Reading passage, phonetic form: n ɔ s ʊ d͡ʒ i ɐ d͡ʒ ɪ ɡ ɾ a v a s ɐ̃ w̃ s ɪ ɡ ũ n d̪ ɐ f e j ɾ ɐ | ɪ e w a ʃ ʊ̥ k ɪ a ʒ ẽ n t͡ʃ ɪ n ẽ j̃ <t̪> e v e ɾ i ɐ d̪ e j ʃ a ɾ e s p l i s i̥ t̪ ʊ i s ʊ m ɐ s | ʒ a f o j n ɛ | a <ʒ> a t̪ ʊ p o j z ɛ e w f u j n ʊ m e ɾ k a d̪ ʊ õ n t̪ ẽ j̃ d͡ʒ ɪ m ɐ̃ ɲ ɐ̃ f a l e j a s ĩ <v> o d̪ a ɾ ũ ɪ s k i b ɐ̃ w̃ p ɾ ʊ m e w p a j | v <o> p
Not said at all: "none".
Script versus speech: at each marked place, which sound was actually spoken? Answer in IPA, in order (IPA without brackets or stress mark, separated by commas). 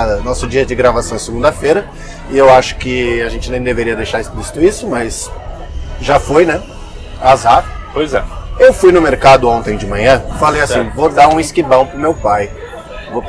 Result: d̪, z, v, o